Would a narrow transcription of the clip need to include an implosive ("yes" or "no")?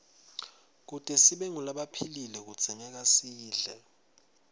yes